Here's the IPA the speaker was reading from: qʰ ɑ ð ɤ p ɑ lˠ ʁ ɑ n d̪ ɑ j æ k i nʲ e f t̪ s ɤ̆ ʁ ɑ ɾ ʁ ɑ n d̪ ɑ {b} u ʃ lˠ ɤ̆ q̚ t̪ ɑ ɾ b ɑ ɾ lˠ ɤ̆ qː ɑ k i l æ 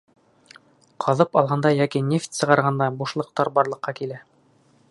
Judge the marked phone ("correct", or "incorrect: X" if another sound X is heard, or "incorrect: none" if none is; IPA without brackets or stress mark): correct